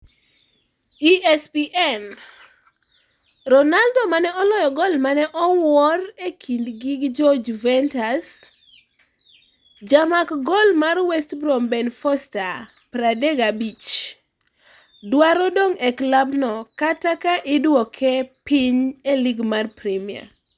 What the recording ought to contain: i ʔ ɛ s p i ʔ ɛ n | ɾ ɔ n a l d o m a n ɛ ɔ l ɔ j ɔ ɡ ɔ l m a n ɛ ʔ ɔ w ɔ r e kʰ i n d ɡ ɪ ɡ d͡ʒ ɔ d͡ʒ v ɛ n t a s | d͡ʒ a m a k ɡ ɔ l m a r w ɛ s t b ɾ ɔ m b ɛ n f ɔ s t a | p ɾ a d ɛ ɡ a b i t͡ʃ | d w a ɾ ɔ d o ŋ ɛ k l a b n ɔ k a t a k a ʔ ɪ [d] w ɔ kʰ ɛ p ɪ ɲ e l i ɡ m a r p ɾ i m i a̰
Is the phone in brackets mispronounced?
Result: no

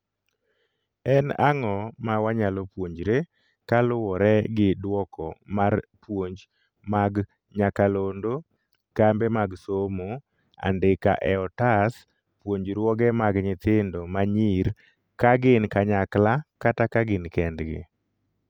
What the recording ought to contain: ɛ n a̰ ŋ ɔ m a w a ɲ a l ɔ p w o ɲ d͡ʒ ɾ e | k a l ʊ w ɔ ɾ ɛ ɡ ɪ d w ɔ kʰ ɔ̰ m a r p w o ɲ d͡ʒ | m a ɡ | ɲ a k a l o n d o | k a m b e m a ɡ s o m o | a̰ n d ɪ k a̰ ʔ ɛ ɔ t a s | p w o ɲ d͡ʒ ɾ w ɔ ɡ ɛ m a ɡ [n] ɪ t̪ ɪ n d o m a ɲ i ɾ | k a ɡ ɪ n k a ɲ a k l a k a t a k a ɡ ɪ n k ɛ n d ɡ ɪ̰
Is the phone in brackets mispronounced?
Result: yes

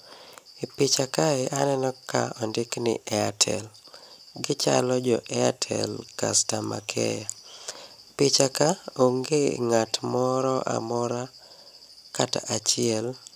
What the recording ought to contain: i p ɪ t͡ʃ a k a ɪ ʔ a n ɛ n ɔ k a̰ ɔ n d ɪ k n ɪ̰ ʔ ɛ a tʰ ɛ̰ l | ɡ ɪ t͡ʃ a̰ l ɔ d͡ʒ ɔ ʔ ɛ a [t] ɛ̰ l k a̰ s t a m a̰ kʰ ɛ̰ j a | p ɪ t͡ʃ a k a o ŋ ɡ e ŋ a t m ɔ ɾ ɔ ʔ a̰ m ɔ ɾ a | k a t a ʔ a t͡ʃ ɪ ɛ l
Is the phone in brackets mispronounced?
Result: yes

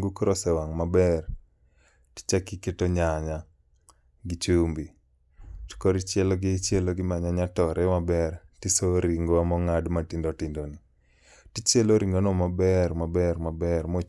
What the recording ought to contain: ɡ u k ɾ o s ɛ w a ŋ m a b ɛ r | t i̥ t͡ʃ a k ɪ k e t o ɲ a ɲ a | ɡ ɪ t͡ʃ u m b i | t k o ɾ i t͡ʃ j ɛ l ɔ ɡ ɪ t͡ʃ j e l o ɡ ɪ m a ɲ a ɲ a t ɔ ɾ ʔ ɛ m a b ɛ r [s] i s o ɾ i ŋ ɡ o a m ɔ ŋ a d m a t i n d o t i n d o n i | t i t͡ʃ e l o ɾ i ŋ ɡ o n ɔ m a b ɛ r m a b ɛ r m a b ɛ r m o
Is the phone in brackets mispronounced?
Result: yes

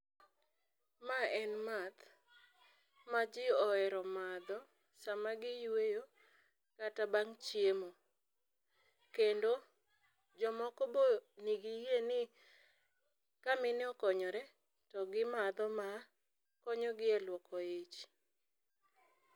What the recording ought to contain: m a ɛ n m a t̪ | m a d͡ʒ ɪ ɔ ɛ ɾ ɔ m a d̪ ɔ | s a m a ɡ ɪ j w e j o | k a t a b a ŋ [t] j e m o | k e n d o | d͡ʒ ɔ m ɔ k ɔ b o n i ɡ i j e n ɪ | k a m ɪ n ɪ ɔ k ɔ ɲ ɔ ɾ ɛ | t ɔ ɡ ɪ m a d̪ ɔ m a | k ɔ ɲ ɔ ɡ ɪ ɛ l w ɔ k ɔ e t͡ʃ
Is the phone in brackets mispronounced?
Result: yes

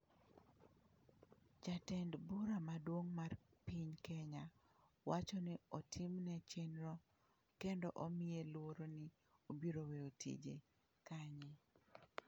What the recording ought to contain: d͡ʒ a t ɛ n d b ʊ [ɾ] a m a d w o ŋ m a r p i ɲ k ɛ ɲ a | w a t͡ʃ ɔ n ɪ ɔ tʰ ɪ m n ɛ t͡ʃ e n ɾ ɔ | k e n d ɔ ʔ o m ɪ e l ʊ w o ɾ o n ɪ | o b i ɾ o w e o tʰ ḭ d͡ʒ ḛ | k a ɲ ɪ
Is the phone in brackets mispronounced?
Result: no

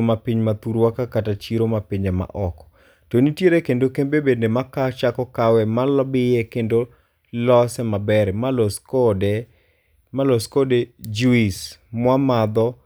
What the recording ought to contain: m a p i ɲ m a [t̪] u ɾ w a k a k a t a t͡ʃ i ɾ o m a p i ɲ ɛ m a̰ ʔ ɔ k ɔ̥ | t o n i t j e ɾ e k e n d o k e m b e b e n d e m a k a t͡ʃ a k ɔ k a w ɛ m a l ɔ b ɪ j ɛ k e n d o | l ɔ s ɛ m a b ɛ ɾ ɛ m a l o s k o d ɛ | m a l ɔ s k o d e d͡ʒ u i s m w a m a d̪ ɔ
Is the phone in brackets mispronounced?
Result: no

